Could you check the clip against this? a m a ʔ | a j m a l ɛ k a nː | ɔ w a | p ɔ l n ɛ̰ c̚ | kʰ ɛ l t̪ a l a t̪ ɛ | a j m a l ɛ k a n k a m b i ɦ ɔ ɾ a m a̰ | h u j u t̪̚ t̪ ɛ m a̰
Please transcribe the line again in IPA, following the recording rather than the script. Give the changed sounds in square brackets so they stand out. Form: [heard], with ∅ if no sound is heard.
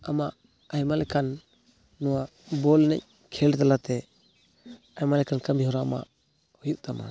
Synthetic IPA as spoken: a m a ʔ | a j m a l ɛ k a nː | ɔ w a | [b] ɔ l n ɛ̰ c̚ | kʰ ɛ l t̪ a l a t̪ ɛ | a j m a l ɛ k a n k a m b i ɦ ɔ ɾ a m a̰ | h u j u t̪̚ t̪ [a] m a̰